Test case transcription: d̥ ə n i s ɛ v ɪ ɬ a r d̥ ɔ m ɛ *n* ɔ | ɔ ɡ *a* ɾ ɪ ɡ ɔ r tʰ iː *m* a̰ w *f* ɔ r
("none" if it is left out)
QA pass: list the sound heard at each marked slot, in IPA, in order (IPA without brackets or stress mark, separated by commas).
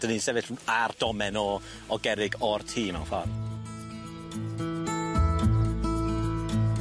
n, ɛ, m, f